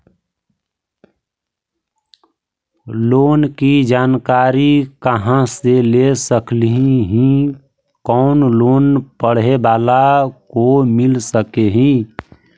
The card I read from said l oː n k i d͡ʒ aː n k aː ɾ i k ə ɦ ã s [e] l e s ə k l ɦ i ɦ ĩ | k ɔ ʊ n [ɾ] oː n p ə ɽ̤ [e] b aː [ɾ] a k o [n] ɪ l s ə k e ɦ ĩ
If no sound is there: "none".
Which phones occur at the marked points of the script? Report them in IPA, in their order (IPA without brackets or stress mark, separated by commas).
e, l, e, l, m